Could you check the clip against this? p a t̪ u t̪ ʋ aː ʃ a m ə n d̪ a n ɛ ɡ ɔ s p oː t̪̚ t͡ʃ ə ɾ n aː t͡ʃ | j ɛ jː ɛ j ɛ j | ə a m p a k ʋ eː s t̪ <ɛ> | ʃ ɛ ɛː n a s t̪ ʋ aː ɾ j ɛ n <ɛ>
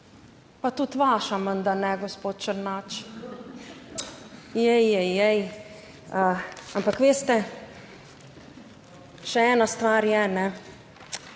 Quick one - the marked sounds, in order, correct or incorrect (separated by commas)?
correct, correct